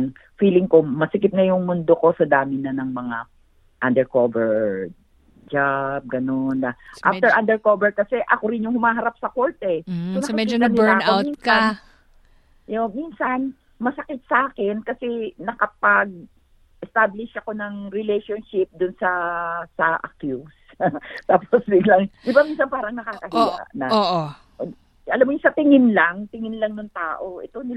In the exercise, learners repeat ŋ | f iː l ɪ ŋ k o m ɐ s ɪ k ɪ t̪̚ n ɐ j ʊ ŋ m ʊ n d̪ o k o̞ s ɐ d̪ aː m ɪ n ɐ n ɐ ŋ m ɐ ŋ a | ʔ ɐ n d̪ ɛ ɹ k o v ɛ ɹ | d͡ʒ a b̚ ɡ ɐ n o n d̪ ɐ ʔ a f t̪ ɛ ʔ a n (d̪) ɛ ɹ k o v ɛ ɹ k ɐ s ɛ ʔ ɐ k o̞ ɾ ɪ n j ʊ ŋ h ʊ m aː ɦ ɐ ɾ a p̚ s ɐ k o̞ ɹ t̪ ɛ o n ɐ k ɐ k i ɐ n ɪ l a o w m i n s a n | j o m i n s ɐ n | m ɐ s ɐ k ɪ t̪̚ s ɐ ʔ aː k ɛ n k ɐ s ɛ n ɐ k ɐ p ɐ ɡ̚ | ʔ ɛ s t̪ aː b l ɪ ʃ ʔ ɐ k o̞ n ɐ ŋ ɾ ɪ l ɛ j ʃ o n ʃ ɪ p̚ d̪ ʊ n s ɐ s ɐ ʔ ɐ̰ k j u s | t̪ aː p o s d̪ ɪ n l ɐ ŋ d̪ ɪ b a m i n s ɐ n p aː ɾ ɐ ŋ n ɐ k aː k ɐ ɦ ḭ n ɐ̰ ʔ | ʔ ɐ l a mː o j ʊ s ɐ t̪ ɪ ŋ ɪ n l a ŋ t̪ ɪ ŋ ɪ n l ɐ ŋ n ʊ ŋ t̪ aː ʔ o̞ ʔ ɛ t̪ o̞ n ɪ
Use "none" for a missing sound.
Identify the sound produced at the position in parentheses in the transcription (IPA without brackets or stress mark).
d̪